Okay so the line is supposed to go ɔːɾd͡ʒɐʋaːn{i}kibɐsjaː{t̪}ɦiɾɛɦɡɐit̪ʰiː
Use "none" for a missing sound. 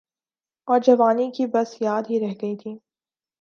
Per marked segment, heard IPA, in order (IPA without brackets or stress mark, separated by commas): i, d̪